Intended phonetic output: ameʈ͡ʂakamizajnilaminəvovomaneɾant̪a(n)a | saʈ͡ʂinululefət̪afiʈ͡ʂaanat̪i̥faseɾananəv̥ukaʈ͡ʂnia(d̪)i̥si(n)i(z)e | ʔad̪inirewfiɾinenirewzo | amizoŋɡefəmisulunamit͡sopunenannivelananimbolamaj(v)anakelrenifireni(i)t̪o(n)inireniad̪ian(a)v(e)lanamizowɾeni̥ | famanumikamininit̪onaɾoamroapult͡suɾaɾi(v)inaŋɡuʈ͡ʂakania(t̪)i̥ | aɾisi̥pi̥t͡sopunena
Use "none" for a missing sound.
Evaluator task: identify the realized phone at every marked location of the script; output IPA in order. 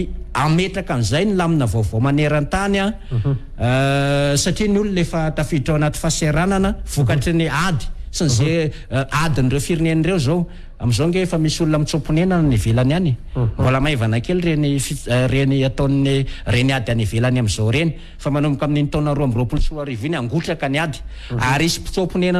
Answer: n, d̪, n, z, v, a, n, i, e, v, d̪

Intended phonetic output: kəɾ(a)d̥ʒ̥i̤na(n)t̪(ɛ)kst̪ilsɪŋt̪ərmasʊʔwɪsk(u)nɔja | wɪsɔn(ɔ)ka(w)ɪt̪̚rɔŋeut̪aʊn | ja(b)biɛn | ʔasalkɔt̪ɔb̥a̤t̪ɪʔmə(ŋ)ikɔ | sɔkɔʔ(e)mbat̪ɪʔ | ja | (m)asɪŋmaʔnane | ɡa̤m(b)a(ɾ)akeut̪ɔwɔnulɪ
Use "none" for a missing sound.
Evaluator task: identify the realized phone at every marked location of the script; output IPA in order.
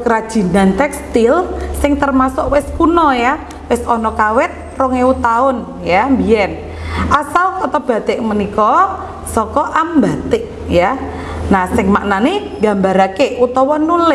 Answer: a, n, ɛ, u, ɔ, w, m, n, a, n, b, ɾ

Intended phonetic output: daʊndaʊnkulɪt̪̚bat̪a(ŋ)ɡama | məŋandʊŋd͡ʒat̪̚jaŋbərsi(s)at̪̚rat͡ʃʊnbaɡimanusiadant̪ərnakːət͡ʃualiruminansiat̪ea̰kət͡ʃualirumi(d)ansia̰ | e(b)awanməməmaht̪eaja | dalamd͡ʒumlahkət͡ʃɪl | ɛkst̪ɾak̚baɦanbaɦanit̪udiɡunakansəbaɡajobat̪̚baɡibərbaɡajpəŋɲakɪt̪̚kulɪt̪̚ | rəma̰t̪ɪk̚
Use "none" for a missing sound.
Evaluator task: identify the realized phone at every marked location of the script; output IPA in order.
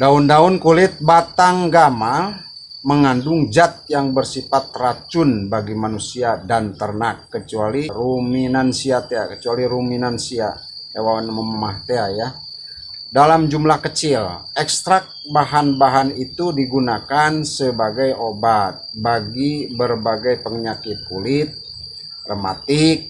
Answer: ŋ, f, n, w

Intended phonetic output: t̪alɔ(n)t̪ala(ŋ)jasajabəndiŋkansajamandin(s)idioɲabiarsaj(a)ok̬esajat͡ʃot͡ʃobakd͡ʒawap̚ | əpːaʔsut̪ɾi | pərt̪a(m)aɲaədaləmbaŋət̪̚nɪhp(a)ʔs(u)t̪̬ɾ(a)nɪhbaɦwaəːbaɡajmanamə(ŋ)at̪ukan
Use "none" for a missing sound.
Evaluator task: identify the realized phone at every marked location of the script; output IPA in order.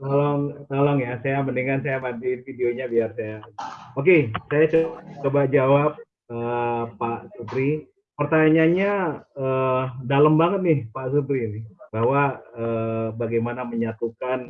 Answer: ŋ, ŋ, f, a, ɲ, a, u, i, ɲ

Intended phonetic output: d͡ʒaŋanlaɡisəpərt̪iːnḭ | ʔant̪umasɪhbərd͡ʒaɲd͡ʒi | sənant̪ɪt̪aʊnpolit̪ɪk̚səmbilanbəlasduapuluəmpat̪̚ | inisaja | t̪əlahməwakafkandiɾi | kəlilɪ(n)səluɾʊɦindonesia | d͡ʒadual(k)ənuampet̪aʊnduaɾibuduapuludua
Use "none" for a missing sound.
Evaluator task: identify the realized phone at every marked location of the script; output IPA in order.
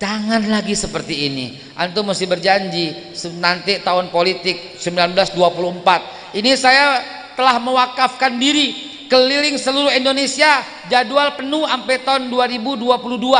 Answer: ŋ, p

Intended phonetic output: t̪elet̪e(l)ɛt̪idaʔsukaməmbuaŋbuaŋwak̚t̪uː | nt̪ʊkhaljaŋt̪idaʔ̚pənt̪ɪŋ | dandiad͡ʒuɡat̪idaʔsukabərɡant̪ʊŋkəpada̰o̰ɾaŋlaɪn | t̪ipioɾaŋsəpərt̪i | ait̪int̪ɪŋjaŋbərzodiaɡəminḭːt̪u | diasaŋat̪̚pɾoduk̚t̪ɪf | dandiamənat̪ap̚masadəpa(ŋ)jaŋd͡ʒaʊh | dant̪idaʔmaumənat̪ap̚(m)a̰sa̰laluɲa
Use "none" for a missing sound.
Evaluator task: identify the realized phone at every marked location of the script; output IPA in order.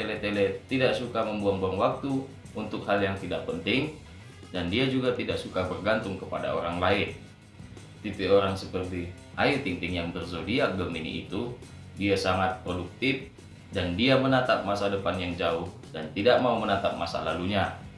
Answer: l, n, m

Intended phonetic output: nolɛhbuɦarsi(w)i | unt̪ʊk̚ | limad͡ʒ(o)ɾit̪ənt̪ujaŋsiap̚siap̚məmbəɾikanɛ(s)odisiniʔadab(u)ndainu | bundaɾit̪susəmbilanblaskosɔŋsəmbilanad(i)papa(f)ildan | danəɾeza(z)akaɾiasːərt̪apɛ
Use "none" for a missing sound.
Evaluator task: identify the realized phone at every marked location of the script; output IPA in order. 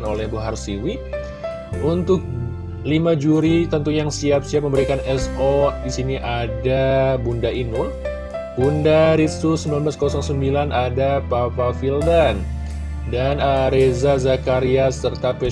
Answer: w, u, s, u, a, f, z

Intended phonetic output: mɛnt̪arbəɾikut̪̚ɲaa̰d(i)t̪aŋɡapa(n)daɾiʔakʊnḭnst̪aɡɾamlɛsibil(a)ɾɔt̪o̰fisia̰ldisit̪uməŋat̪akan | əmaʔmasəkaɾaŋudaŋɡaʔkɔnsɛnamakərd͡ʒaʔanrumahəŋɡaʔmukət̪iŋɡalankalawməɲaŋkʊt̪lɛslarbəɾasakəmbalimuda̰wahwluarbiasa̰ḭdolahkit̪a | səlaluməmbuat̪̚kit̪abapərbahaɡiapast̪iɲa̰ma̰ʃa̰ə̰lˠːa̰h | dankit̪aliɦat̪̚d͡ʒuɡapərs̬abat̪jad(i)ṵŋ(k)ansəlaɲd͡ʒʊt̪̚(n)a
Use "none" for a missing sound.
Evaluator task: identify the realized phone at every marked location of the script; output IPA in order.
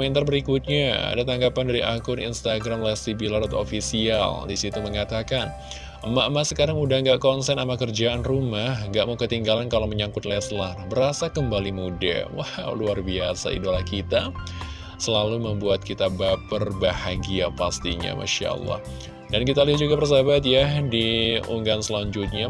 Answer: a, n, a, i, ɡ, ɲ

